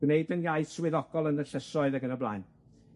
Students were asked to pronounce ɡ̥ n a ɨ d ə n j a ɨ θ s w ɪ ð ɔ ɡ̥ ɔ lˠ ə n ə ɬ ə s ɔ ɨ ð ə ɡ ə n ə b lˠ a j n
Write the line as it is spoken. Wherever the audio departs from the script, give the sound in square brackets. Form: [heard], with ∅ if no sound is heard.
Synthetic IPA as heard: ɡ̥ n [e] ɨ d ə n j a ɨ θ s w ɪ ð ɔ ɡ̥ ɔ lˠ ə n ə ɬ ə s ɔ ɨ ð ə ɡ ə n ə b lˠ a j n